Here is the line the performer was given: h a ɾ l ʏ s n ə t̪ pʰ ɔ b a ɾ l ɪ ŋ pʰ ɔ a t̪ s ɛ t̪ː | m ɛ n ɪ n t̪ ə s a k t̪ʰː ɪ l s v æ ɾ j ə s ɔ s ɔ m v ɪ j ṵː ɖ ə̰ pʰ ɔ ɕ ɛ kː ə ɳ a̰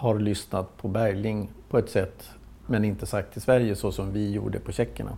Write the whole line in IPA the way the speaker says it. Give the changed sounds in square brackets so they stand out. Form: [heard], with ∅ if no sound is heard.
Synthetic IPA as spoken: h a ɾ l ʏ s n [a] t̪ pʰ ɔ b [æ] ɾ l ɪ ŋ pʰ ɔ [ɛ] t̪ s ɛ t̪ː | m ɛ n ɪ n t̪ ə s a k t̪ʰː ɪ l s v æ ɾ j ə s ɔ s ɔ m v ɪ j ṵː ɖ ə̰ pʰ ɔ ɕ ɛ kː ə ɳ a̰